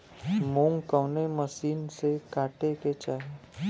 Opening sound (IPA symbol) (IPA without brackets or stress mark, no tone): m